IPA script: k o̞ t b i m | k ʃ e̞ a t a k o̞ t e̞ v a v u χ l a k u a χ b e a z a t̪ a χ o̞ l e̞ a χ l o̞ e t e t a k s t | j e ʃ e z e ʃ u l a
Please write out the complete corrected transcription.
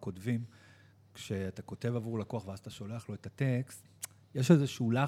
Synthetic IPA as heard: k o̞ t v i m | k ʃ e̞ a t a k o̞ t e̞ v a v u ʁ l a k o a χ v e a z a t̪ a ʃ o̞ l e̞ a χ l o̞ e t a t e k s t | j e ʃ e z e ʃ u l a